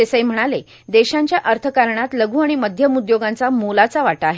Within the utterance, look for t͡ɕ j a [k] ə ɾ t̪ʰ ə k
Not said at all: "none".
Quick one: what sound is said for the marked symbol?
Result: ʔ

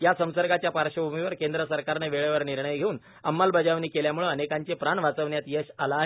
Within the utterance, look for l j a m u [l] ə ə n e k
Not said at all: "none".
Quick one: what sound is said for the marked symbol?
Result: ɭ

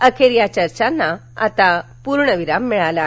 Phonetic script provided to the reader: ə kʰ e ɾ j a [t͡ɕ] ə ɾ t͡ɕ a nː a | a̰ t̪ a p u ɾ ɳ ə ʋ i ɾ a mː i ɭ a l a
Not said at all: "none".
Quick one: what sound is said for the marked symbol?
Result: t͡ɕ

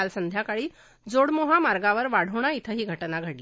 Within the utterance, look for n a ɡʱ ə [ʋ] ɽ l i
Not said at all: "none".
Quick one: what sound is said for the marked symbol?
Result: none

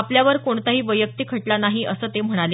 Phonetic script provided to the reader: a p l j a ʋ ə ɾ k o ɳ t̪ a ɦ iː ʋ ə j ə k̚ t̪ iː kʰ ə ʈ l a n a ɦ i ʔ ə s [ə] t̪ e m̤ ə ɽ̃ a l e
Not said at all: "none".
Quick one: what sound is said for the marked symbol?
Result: əː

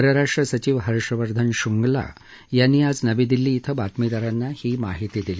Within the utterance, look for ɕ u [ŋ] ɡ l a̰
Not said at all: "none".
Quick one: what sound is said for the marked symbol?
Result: ŋ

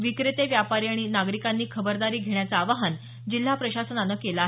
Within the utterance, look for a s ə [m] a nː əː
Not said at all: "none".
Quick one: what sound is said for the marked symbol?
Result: n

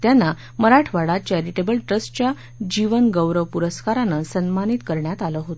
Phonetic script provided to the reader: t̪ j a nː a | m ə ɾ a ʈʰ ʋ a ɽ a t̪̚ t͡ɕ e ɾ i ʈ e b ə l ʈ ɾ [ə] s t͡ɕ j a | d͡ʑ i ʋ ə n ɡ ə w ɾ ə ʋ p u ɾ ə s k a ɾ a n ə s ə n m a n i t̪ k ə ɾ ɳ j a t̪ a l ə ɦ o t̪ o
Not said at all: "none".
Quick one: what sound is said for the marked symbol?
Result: ə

